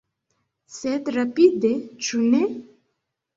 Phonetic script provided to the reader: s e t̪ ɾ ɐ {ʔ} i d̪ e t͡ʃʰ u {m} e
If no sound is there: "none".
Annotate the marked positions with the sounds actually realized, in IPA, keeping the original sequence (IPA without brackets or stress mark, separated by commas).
p, n